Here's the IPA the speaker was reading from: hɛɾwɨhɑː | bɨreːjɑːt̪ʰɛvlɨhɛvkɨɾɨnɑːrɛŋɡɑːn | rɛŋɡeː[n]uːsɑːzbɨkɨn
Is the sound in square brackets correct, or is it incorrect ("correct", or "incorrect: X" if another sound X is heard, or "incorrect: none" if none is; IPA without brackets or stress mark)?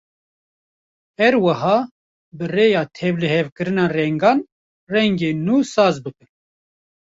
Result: correct